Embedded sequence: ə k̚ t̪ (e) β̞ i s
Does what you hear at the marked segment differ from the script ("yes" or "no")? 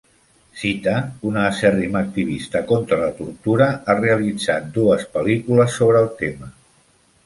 yes